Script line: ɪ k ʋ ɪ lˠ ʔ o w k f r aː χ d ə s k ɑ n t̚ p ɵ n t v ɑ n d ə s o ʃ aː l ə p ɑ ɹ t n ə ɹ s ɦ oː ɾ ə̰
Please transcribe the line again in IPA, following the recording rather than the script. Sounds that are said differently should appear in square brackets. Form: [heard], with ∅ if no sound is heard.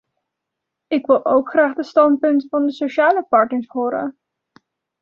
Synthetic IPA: ɪ k ʋ ɪ lˠ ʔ o w k [χ] r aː χ d ə s [t] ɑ n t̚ p ɵ n t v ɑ n d ə s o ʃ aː l ə p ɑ ɹ t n ə ɹ s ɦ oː ɾ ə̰

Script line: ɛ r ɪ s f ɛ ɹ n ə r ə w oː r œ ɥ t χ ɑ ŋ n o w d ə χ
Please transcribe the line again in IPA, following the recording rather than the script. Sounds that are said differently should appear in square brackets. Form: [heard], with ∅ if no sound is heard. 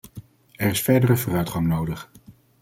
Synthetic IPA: ɛ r ɪ s f ɛ ɹ [d] ə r ə [v] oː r œ ɥ t χ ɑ ŋ n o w d ə χ

